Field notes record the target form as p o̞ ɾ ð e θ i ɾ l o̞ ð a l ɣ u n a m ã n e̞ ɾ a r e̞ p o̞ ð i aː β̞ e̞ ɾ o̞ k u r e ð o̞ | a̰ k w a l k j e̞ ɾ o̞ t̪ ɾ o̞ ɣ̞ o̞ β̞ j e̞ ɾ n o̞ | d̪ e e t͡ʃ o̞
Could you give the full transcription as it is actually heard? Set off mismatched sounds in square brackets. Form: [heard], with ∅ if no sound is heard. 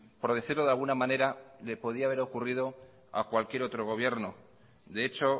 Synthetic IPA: p o̞ ɾ ð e θ i ɾ l o̞ ð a l ɣ u n a m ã n e̞ ɾ a [l] e̞ p o̞ ð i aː β̞ e̞ ɾ o̞ k u r [i] ð o̞ | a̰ k w a l k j e̞ ɾ o̞ t̪ ɾ o̞ ɣ̞ o̞ β̞ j e̞ ɾ n o̞ | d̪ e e t͡ʃ o̞